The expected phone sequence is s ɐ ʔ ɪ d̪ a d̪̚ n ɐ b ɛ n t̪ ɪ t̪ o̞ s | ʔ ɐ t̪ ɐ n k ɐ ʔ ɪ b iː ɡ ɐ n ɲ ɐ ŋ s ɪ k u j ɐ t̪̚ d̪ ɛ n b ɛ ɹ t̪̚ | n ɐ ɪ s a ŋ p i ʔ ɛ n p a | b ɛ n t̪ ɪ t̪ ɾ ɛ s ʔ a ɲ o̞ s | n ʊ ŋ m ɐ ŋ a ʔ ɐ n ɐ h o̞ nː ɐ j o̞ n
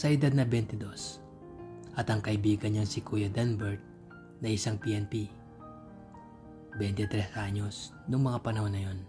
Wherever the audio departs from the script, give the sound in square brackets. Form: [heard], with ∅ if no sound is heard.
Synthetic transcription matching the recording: s ɐ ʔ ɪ d̪ a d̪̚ n ɐ b ɛ n t̪ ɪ [d̪] o̞ s | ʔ ɐ t̪ ɐ [ŋ] k ɐ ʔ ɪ b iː ɡ ɐ n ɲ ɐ ŋ s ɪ k u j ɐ [∅] d̪ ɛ n b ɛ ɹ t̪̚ | n ɐ ɪ s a ŋ p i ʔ ɛ n p [i] | b ɛ n t̪ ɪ t̪ ɾ ɛ s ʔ a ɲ o̞ s | n ʊ ŋ m ɐ ŋ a [p] ɐ n ɐ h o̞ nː ɐ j o̞ n